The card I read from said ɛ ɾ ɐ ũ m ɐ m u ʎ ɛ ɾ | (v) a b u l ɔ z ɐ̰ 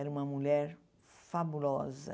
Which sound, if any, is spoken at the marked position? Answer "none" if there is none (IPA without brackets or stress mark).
f